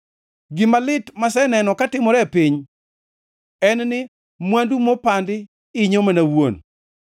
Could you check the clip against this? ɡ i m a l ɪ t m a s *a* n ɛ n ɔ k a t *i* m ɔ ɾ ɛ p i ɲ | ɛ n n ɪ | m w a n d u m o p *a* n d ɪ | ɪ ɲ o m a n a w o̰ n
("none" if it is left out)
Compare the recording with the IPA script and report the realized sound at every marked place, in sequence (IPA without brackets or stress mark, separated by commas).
ɛ, ɪ, a